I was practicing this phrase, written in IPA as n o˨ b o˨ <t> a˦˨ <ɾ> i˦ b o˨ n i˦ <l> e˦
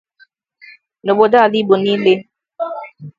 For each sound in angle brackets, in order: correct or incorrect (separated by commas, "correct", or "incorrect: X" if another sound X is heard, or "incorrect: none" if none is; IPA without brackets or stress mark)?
incorrect: d, incorrect: l, correct